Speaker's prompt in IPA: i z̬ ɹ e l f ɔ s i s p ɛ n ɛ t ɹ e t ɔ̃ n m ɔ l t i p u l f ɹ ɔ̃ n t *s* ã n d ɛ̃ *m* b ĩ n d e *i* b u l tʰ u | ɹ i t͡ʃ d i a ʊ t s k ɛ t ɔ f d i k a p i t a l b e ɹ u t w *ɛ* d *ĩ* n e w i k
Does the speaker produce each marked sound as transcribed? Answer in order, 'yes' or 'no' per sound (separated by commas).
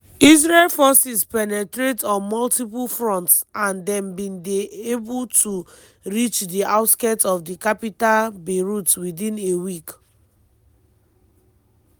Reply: yes, yes, no, no, yes